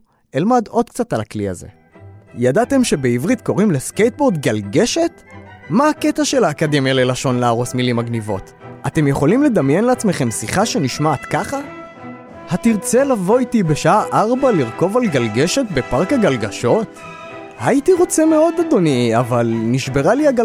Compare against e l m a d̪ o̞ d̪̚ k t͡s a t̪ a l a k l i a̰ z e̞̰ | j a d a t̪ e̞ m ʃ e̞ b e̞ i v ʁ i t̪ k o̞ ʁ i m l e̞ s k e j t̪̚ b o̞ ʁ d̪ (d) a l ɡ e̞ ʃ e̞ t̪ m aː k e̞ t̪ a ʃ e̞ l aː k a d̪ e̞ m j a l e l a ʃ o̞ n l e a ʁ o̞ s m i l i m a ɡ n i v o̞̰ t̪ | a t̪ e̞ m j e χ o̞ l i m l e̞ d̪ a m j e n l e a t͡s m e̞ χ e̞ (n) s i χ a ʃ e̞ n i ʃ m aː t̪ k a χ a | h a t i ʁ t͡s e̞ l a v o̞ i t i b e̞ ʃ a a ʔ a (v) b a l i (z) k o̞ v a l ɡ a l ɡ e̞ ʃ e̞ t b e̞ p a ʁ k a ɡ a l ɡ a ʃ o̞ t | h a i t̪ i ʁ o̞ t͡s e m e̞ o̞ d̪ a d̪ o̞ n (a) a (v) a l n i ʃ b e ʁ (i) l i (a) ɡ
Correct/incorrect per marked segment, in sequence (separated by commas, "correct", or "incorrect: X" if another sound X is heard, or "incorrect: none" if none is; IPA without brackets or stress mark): incorrect: ɡ, incorrect: m, incorrect: ʁ, incorrect: ʁ, incorrect: i, correct, incorrect: a, correct